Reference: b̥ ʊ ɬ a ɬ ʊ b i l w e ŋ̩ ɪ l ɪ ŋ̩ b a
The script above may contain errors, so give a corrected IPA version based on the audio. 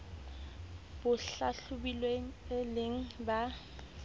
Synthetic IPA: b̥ ʊ ɬ a ɬ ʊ b i l w e ŋ̩ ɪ l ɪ ŋ̩ b a